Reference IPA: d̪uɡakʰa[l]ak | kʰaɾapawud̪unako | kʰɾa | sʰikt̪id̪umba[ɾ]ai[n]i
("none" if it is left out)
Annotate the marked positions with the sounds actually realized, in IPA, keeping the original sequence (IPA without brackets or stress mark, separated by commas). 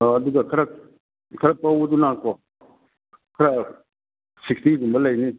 ɾ, l, n